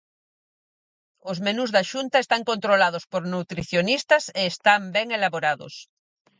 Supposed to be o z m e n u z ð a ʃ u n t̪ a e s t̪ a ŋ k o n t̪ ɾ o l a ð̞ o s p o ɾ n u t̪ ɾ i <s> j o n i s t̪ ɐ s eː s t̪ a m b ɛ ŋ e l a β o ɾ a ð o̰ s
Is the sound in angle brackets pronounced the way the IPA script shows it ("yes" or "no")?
no